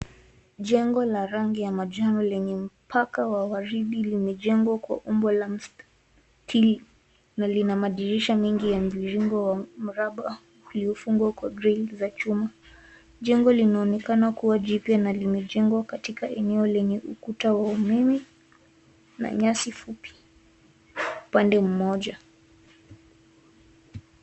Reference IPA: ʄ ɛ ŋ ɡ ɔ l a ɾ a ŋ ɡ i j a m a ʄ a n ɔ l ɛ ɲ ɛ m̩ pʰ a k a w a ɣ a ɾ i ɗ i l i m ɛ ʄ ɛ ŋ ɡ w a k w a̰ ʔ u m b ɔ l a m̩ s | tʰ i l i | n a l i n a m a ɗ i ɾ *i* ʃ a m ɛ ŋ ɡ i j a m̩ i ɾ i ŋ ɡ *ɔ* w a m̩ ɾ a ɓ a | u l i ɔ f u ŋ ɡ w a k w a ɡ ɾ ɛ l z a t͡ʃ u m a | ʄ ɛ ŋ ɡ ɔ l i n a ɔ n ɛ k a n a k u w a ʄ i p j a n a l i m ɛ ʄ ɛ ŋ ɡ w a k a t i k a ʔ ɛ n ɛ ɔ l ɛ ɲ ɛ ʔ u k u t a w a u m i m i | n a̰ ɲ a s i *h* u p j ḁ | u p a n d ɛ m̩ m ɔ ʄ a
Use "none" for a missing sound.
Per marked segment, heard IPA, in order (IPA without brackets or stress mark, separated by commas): i, ɔ, f